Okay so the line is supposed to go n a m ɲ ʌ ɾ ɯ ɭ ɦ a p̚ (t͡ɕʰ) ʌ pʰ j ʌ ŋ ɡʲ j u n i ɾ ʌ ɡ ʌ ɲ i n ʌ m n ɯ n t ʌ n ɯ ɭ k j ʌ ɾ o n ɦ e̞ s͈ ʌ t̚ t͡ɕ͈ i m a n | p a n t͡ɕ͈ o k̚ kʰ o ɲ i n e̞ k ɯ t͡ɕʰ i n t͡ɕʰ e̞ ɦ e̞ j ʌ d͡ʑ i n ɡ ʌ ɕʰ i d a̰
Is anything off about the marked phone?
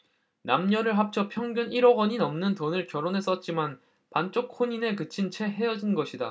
no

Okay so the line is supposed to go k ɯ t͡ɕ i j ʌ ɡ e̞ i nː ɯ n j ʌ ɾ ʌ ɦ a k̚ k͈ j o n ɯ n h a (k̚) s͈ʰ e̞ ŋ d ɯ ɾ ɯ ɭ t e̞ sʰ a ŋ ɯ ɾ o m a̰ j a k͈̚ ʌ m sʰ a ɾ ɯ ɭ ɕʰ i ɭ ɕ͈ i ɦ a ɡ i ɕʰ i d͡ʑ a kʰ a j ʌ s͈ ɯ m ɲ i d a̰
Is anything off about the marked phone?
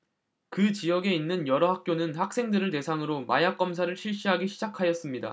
no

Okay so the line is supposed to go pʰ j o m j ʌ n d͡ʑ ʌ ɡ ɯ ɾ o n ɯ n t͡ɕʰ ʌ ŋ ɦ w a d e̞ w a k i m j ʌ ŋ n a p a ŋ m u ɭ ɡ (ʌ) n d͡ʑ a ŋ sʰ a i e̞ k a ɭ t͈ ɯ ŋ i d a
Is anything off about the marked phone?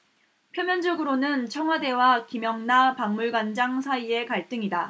yes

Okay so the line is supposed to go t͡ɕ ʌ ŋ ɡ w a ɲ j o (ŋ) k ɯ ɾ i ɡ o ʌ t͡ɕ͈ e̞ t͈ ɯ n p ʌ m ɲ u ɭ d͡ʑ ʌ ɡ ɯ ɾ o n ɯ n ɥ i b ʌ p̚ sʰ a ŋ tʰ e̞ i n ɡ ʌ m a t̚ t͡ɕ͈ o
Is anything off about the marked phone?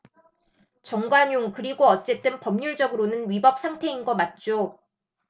no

